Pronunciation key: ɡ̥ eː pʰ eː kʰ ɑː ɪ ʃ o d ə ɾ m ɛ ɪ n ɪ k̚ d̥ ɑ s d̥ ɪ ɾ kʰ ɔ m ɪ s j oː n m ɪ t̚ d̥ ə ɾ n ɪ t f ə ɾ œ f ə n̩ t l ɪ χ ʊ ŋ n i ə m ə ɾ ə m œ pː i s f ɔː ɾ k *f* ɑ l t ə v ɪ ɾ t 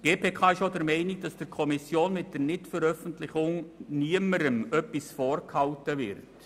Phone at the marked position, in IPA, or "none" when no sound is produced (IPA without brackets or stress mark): h